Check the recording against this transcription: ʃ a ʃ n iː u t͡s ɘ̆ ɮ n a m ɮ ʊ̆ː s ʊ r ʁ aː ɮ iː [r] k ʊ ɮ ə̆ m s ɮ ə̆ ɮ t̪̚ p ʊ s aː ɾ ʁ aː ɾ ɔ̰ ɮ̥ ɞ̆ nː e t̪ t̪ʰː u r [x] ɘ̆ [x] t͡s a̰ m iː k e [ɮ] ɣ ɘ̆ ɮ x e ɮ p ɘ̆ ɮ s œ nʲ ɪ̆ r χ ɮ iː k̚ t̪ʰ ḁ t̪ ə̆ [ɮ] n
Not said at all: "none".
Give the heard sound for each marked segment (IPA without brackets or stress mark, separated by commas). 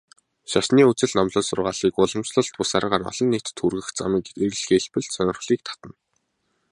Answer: none, ɣ, x, none, none